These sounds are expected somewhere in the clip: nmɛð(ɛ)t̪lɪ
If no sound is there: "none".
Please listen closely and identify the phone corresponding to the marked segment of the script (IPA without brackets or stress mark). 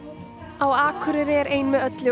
œ